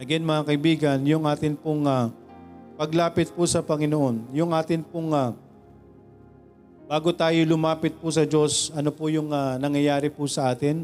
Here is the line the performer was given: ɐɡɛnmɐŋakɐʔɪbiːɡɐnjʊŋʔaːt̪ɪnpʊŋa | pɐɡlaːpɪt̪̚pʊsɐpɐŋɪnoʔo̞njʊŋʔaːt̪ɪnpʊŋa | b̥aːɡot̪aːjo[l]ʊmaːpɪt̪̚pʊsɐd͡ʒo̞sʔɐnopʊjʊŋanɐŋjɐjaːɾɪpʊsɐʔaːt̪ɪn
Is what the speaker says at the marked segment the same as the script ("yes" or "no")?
yes